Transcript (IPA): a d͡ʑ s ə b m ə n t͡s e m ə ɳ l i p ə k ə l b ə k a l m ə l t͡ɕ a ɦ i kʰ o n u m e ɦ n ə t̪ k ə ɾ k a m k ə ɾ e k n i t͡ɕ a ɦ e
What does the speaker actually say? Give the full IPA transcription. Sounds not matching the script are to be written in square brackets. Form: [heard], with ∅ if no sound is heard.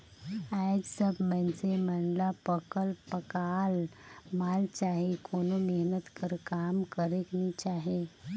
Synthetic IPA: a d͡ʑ s ə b m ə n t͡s e m ə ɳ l [a] p ə k ə l [p] ə k a l m [a] l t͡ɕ a ɦ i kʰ o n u m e ɦ n ə t̪ k ə ɾ k a m k ə ɾ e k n i t͡ɕ a ɦ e